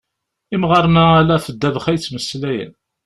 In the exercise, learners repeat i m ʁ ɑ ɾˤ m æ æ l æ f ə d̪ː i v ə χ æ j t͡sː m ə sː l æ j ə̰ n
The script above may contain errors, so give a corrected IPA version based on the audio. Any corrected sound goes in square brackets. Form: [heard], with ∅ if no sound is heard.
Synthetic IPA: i m ʁ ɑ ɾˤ [n] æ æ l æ f ə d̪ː [æ] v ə χ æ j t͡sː m ə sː l æ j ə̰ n